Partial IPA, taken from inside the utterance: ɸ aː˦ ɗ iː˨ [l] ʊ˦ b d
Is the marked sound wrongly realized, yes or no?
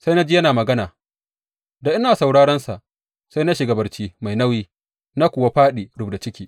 yes